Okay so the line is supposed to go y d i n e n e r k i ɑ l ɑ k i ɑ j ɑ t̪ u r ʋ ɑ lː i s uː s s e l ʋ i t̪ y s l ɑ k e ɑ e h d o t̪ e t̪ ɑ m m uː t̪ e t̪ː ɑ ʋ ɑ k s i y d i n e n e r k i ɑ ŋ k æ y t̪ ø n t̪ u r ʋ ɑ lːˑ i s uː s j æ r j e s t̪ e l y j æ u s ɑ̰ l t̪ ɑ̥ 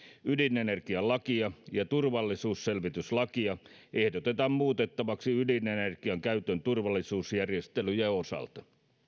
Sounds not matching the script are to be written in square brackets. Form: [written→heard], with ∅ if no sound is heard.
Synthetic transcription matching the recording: y d i n e n e r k i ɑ l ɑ k i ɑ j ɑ t̪ u r ʋ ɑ lː i s uː s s e l ʋ i t̪ y s l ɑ k [e→i] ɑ e h d o t̪ e t̪ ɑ m m uː t̪ e t̪ː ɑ ʋ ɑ k s i y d i n e n e r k i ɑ ŋ k æ y t̪ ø n t̪ u r ʋ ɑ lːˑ i s uː s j æ r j e s t̪ e l y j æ [u→o] s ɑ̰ l t̪ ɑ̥